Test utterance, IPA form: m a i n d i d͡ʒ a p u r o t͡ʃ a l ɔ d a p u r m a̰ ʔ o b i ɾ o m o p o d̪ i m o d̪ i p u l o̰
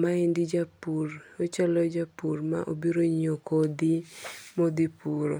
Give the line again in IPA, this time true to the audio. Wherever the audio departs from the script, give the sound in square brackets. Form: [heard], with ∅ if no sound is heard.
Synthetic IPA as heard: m a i n d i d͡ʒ a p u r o t͡ʃ a l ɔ [d͡ʒ] a p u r m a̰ ʔ o b i ɾ o [ɲ] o [k] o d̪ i m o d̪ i p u [ɾ] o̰